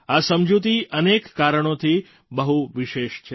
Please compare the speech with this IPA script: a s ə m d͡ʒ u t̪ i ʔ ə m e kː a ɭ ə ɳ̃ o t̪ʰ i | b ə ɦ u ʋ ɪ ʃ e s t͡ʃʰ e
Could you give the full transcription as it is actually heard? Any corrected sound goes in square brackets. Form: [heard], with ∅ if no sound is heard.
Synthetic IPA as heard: a s ə m d͡ʒ u t̪ i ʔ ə [n] e kː a [ɾ] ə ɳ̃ o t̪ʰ i | b ə ɦ u ʋ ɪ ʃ e [ʃ] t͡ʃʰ e